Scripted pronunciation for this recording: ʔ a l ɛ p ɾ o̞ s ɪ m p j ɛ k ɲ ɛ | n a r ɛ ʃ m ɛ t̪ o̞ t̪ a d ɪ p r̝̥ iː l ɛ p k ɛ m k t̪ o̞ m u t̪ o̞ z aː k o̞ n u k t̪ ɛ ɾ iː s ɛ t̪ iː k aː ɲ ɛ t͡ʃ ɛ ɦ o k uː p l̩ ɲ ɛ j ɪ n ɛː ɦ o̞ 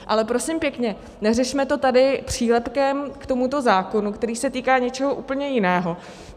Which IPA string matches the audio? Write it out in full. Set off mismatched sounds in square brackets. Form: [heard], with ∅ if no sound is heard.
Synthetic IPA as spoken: ʔ a l ɛ p ɾ o̞ s ɪ m p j ɛ k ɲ ɛ | n [ɛ] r ɛ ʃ m ɛ t̪ o̞ t̪ a d ɪ p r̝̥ iː l ɛ p k ɛ m k t̪ o̞ m u t̪ o̞ z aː k o̞ n u k t̪ ɛ ɾ iː s ɛ t̪ iː k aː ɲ ɛ t͡ʃ ɛ ɦ o [ʔ] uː p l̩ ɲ ɛ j ɪ n ɛː ɦ o̞